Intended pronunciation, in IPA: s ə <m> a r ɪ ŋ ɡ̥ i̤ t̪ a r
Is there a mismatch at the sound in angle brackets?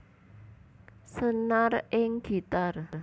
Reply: yes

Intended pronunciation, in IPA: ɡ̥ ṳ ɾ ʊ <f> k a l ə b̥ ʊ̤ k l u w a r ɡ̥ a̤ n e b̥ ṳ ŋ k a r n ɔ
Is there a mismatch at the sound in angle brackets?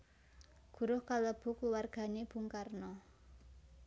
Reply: yes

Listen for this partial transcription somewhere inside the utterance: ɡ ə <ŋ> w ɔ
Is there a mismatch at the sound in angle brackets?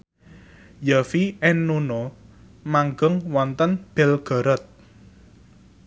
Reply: no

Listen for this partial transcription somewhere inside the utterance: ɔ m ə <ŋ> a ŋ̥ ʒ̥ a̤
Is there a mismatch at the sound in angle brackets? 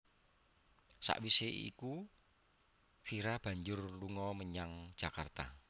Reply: yes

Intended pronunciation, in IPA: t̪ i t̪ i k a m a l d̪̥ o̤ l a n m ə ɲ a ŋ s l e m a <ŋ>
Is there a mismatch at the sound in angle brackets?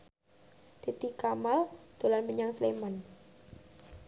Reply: yes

